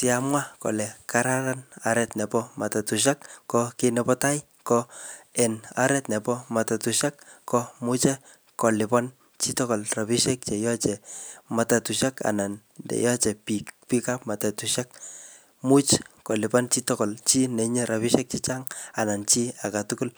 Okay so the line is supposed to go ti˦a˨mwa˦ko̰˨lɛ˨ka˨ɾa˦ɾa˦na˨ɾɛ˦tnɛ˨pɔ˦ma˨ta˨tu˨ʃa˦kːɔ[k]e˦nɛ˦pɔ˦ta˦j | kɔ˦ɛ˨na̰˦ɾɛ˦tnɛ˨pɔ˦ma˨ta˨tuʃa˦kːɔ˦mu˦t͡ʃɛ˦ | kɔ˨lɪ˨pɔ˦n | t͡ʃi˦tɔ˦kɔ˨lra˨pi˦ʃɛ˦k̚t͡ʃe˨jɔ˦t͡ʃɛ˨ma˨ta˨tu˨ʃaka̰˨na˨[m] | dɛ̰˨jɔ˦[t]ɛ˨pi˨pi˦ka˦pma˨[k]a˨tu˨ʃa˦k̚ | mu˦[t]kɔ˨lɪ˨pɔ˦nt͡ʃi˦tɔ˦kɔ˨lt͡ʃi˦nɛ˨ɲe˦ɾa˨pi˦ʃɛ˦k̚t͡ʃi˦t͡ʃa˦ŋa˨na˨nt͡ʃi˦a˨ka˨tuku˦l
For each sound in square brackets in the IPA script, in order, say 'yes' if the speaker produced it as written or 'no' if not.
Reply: yes, no, no, no, no

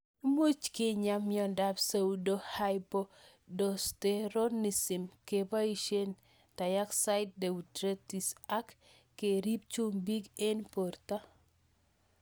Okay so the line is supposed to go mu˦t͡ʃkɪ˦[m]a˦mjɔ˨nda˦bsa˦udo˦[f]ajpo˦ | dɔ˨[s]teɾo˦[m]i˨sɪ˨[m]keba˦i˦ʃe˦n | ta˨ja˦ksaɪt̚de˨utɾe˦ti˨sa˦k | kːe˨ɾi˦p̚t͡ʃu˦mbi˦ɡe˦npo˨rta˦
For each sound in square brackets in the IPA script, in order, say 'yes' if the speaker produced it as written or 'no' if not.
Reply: no, no, yes, no, yes

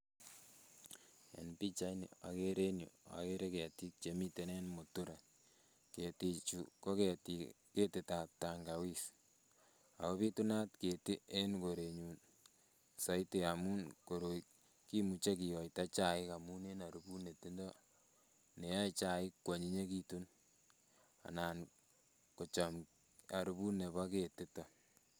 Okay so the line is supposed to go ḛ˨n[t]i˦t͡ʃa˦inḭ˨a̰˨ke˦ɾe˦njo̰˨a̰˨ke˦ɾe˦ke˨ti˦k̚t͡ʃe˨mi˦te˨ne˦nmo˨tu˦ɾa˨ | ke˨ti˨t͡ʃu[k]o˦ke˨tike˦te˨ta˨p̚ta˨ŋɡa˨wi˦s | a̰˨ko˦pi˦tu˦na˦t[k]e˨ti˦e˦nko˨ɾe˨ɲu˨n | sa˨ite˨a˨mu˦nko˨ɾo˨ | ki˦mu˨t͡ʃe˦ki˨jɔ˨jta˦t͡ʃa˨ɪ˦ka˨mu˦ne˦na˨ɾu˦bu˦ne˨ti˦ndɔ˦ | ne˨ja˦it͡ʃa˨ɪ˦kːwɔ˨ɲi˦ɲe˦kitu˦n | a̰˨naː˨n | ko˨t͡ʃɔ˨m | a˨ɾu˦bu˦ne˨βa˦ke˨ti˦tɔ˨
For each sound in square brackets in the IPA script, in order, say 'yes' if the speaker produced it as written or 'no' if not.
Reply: no, yes, yes

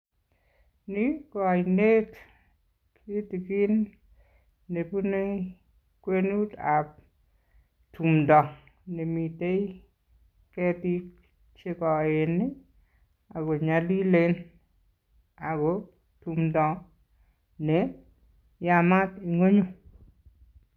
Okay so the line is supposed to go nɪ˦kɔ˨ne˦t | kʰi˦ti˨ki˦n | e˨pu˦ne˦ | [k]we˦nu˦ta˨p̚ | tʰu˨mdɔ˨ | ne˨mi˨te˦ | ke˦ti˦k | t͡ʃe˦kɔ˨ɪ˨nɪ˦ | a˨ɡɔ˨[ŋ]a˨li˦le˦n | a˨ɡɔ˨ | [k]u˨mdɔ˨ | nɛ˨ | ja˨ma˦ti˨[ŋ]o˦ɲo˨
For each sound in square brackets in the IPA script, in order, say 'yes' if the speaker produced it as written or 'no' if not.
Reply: yes, no, no, yes

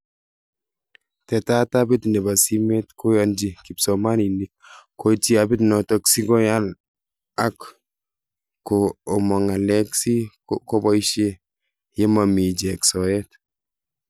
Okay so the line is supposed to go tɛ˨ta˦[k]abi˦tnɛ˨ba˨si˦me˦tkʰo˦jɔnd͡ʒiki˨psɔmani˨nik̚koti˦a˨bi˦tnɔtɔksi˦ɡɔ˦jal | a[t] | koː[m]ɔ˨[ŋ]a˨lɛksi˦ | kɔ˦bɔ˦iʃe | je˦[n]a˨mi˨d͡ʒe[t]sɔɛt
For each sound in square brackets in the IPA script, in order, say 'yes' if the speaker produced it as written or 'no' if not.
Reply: no, no, yes, yes, no, no

